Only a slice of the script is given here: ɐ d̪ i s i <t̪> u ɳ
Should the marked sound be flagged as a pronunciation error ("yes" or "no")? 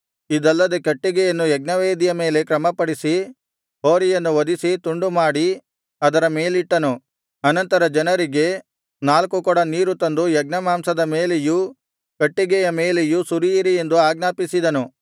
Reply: no